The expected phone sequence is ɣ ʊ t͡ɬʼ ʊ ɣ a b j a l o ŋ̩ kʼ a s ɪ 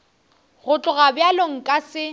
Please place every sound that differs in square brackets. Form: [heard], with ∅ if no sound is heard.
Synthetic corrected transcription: ɣ ʊ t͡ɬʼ ʊ ɣ a b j a l o ŋ̩ kʼ a s ɪ